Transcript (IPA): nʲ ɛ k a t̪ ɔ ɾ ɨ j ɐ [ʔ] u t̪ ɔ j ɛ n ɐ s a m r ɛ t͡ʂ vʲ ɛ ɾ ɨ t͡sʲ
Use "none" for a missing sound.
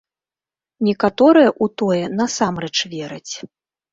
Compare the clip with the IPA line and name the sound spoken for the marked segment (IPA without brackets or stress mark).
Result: ʔ